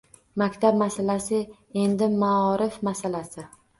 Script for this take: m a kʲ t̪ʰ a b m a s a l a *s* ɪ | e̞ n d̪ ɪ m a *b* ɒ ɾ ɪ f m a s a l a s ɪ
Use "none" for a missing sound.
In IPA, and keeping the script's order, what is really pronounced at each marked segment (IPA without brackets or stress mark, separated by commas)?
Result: s, none